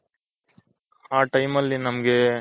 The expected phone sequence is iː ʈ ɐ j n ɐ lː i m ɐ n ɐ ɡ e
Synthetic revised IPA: aː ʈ ɐ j m ɐ lː i n ɐ m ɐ ɡ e